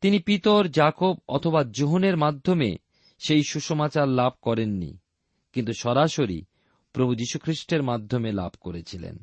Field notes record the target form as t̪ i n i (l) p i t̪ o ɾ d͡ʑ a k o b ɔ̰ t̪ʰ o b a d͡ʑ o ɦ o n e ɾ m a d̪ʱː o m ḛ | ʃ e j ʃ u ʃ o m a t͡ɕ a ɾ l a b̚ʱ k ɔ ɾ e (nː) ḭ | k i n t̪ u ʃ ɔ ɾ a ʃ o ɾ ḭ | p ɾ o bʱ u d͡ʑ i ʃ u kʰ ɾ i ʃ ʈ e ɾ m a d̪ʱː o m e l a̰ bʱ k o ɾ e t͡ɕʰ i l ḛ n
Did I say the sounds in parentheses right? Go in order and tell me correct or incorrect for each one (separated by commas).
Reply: incorrect, correct